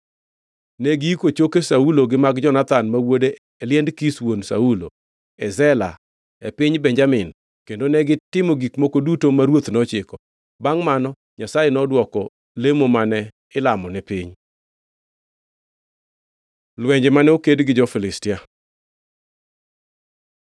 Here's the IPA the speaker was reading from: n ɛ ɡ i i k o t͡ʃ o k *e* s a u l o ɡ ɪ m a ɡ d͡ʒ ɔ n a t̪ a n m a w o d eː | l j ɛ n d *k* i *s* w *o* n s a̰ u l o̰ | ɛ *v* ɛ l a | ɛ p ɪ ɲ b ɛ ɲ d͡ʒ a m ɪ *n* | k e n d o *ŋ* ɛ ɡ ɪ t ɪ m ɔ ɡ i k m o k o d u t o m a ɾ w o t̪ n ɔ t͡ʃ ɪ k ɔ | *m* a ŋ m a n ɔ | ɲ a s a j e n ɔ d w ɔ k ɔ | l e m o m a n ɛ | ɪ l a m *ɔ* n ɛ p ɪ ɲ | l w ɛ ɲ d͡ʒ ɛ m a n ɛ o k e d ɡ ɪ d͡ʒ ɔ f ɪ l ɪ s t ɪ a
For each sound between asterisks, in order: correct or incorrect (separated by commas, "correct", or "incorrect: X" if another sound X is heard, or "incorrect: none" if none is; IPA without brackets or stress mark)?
correct, correct, correct, correct, incorrect: z, correct, incorrect: n, incorrect: b, correct